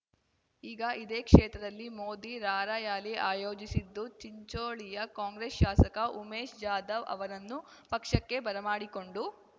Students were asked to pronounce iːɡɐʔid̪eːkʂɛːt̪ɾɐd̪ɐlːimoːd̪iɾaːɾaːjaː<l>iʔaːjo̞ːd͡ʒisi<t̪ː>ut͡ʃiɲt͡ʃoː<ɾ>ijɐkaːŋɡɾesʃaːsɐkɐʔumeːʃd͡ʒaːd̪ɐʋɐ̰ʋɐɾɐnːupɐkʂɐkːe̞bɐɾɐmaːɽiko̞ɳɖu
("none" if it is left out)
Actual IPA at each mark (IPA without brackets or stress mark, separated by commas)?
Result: l, d̪ː, ɭ